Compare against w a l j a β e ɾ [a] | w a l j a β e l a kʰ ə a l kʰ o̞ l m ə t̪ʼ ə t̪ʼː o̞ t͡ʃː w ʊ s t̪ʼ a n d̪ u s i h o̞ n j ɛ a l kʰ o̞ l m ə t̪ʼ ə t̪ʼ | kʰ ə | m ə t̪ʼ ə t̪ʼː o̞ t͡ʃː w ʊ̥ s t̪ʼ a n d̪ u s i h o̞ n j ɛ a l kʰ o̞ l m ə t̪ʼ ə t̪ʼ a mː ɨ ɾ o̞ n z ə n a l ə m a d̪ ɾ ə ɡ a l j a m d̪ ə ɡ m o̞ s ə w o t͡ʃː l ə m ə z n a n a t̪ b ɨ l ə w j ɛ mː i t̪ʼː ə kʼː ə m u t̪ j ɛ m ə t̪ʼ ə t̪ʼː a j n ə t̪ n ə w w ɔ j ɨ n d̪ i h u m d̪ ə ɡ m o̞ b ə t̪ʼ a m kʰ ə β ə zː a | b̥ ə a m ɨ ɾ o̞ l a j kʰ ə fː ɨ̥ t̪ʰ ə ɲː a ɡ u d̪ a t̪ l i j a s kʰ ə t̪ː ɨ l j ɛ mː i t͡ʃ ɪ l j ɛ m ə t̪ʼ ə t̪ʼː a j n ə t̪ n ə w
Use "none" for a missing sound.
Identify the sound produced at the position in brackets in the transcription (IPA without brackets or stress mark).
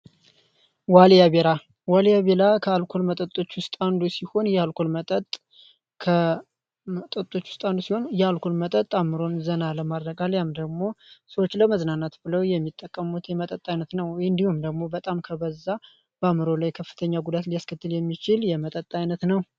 a